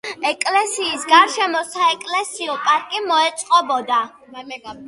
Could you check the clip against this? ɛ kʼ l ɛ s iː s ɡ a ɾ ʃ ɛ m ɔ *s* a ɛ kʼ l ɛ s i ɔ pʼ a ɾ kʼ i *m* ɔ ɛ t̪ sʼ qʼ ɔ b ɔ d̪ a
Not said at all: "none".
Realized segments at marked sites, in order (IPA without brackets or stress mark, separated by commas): s, m